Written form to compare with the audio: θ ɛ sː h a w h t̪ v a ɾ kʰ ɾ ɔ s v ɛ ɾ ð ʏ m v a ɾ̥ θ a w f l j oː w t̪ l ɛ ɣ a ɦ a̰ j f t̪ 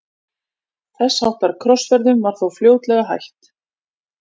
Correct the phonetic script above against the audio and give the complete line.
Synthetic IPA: θ ɛ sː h a w h t̪ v a ɾ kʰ ɾ ɔ s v ɛ ɾ ð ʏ m v a ɾ̥ θ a w f l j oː w t̪ l ɛ ɣ a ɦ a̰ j h t̪